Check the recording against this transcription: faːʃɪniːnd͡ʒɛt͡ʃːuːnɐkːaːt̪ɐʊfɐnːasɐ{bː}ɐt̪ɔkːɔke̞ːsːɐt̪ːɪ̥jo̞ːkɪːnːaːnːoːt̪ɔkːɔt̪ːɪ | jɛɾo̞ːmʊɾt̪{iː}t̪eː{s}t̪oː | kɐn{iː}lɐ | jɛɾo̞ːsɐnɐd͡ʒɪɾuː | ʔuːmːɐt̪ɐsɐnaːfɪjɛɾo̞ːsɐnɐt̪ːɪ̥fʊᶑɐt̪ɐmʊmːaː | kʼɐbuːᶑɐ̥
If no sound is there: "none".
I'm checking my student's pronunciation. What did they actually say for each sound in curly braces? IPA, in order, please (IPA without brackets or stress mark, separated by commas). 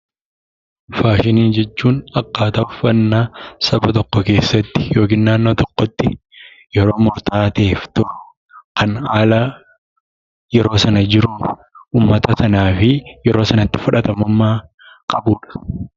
b, aː, f, aː